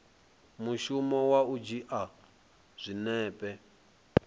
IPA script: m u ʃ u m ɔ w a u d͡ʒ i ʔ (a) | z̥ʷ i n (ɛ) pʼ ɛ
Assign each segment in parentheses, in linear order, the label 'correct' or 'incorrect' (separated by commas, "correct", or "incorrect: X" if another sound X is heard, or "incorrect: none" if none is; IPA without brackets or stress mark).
correct, incorrect: ɛː